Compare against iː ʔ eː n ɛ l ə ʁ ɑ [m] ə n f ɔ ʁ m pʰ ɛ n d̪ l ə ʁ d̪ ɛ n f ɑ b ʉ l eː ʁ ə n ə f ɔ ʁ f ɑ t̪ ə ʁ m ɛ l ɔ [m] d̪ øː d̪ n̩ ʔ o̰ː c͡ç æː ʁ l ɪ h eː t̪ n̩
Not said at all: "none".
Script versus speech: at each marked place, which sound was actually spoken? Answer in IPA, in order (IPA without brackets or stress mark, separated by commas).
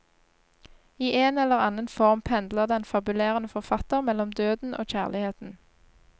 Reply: n, m